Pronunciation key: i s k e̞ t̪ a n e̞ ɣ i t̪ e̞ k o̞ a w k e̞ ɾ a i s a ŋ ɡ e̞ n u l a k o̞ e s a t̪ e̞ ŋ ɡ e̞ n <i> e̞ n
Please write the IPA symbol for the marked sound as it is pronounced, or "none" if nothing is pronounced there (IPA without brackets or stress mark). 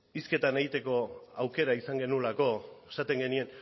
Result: i